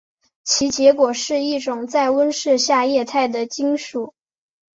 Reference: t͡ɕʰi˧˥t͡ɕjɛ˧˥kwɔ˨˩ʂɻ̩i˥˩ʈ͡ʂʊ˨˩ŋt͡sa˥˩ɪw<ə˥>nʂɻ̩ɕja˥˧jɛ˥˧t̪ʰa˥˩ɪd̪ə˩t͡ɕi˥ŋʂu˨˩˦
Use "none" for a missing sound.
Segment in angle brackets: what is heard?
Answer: ə˥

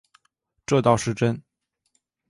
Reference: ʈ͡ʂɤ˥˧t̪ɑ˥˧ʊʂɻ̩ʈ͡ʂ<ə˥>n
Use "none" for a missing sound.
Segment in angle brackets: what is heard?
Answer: ə˥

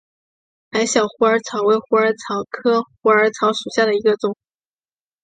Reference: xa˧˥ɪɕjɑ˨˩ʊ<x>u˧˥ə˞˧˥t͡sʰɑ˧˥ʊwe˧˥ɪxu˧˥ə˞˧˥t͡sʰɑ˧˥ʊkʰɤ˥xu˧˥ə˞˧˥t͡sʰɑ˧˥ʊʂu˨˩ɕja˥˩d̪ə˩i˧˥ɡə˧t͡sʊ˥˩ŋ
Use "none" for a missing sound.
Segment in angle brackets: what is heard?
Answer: x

